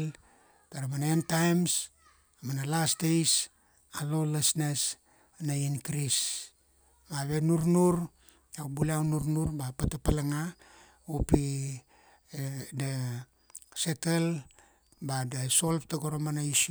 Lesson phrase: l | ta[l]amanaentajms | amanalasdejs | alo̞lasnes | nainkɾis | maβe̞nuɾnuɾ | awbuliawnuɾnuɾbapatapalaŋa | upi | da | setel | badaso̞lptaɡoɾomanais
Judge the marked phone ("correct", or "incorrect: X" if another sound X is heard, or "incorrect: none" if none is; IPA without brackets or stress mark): incorrect: ɾ